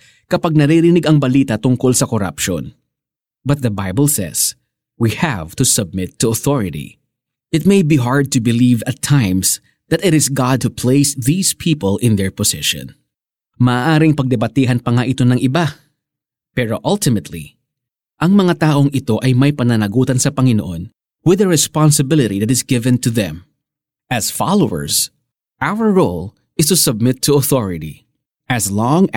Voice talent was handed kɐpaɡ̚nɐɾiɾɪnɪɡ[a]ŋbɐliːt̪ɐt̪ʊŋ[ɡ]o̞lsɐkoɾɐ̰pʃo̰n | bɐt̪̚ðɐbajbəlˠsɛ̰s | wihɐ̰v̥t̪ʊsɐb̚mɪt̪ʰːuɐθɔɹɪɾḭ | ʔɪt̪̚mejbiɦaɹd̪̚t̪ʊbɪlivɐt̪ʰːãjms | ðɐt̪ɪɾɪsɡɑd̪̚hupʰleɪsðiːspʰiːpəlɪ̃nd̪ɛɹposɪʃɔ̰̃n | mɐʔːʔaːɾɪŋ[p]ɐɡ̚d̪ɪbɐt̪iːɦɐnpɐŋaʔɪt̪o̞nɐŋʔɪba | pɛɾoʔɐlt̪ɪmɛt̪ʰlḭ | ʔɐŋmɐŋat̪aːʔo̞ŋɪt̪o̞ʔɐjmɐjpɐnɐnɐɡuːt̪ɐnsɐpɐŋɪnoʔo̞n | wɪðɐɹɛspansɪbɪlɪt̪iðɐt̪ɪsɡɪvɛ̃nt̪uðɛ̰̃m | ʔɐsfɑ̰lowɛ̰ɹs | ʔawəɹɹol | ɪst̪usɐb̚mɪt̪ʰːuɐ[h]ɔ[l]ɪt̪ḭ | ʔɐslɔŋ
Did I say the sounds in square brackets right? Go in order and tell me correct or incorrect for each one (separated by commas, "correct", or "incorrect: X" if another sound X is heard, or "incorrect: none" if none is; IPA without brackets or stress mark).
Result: incorrect: ɐ, incorrect: k, correct, incorrect: θ, incorrect: ɹ